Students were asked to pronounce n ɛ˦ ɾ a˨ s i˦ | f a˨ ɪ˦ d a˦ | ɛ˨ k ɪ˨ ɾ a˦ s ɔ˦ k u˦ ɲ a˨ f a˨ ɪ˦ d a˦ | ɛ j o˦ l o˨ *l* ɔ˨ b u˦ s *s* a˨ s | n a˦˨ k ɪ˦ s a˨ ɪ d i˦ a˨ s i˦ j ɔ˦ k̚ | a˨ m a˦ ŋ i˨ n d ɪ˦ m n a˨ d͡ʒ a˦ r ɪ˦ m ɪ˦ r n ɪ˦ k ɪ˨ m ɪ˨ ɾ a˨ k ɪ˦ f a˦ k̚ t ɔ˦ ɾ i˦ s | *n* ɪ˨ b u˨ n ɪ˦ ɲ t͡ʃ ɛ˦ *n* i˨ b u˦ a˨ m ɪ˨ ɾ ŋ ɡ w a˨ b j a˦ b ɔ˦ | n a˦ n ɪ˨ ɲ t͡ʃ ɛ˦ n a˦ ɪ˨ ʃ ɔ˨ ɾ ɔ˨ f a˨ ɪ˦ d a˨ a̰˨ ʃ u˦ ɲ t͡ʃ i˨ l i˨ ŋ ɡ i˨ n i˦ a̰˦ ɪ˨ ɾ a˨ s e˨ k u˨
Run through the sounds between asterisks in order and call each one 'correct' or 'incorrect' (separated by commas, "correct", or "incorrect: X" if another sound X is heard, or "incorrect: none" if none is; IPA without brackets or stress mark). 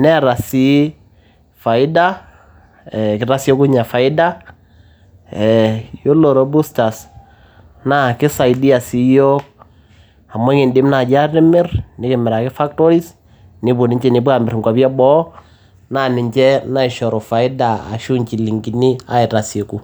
incorrect: ɾ, incorrect: t, correct, correct